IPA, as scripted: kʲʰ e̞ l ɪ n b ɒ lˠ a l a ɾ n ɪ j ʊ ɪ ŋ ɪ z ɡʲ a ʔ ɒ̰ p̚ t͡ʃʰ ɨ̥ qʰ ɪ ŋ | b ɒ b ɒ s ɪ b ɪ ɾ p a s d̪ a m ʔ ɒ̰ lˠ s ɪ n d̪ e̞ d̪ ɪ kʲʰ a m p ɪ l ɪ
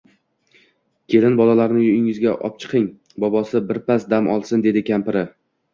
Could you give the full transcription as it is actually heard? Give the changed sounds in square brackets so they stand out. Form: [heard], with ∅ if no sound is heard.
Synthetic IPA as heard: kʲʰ e̞ l ɪ n b ɒ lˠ a l a ɾ n ɪ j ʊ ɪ ŋ ɪ z ɡʲ a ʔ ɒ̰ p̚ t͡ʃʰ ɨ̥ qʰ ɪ ŋ | b ɒ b ɒ s ɪ b ɪ ɾ p a s d̪ a m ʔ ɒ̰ lˠ s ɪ n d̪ e̞ d̪ ɪ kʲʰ a m p ɪ [ɾ] ɪ